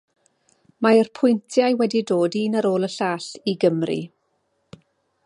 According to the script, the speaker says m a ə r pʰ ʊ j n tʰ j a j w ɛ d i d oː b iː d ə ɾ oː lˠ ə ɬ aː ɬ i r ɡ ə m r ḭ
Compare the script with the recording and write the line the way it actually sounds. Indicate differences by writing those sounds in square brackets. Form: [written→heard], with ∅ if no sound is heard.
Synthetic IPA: m a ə r pʰ ʊ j n tʰ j a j w ɛ d i d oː [b→d] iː [d→n] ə ɾ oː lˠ ə ɬ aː ɬ i [r→∅] ɡ ə m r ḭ